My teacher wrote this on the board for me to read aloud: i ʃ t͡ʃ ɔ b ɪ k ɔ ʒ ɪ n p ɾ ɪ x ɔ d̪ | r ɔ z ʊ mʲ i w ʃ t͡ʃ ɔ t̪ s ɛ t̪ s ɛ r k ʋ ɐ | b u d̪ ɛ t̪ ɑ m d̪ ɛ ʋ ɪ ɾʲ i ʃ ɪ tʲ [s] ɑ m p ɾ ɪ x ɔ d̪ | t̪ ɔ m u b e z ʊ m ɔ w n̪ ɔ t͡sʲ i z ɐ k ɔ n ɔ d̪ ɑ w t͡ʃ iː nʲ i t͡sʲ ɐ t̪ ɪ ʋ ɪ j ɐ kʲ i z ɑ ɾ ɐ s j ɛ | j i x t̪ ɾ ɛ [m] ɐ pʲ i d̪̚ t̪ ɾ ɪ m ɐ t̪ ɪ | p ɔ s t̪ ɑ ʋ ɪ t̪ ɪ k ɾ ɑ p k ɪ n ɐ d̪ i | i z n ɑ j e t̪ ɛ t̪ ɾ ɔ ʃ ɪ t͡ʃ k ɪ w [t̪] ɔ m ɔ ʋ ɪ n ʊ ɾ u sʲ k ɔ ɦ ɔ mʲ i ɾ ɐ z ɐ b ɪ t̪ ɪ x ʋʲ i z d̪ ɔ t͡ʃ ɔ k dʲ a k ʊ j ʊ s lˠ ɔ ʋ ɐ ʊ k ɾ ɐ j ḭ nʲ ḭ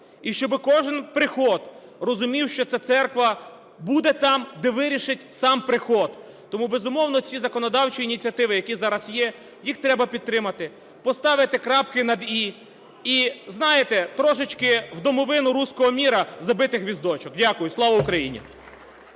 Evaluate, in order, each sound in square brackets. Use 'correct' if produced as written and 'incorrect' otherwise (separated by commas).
correct, incorrect, incorrect